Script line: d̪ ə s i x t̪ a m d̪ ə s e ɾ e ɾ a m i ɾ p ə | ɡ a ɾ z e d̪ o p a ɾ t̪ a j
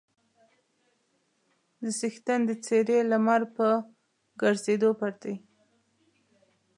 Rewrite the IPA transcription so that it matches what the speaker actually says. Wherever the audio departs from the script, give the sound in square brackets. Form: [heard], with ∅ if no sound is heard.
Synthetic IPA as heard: d̪ ə s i x t̪ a [n] d̪ ə [t͡s] e ɾ e [l] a m [a] ɾ p ə | ɡ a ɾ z e d̪ o p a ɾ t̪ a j